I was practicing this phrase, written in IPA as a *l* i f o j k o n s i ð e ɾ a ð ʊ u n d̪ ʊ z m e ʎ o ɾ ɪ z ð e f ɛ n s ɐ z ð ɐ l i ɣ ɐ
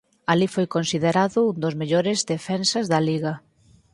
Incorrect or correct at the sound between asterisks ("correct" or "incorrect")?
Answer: correct